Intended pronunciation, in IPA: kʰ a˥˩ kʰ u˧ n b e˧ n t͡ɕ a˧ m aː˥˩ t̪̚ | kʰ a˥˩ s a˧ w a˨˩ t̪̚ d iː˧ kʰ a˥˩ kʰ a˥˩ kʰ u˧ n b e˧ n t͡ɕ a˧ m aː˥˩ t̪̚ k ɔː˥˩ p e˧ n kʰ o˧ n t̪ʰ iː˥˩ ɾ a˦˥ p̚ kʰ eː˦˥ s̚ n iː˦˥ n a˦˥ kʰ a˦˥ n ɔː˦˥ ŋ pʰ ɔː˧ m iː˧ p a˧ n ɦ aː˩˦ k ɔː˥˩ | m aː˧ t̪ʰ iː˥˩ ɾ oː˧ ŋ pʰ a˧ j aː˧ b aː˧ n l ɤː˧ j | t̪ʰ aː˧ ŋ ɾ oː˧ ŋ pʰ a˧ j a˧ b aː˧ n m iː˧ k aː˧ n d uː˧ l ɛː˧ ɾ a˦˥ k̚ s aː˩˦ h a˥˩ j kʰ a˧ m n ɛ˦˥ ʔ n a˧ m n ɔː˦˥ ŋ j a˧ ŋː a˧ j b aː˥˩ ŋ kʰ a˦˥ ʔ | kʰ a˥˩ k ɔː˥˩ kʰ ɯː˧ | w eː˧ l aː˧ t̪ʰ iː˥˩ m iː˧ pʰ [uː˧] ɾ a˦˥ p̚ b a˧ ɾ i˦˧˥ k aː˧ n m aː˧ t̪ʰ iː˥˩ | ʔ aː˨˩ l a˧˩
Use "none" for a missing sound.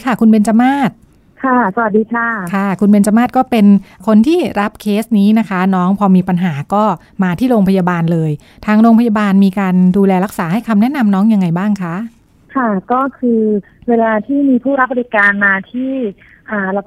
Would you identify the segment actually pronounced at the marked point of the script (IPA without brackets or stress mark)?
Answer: uː˥˩